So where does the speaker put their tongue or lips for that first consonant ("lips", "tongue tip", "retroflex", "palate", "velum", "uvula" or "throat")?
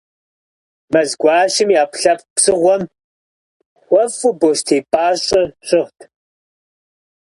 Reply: lips